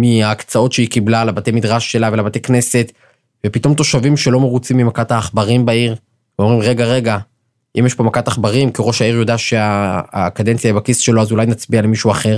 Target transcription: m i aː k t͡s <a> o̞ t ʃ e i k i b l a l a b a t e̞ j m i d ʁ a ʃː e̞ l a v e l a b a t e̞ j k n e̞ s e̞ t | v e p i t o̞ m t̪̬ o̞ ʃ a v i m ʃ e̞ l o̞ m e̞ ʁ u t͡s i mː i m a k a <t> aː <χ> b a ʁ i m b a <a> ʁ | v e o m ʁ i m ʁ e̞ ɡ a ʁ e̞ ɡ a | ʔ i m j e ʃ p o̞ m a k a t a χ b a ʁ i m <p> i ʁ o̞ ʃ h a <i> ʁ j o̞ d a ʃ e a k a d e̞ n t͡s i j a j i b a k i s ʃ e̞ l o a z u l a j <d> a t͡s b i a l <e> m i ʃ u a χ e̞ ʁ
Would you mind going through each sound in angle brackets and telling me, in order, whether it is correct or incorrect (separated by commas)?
correct, correct, correct, incorrect, incorrect, correct, incorrect, correct